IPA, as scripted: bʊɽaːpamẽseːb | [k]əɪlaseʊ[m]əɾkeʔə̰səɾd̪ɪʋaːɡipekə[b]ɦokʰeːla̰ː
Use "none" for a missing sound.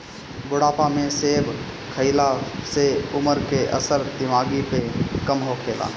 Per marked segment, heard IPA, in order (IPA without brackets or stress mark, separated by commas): kʰ, m, m